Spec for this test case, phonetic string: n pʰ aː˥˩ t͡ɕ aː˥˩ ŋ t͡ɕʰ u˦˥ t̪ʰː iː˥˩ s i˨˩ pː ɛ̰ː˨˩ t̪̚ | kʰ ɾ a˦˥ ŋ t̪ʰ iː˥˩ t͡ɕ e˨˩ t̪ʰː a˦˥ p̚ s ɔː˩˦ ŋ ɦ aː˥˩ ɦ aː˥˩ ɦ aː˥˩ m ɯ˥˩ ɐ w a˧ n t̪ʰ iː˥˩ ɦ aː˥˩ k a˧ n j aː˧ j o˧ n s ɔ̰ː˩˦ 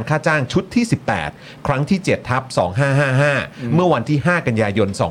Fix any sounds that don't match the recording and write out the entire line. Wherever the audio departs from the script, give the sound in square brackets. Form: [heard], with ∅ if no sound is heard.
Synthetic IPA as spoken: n [kʰ] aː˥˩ t͡ɕ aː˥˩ ŋ t͡ɕʰ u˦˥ t̪ʰː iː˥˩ s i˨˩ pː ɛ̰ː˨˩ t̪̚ | kʰ ɾ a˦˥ ŋ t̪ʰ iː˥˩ t͡ɕ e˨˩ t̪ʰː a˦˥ p̚ s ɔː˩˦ ŋ ɦ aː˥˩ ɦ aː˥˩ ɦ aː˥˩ m ɯ˥˩ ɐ w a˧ n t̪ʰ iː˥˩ ɦ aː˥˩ k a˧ n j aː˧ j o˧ n s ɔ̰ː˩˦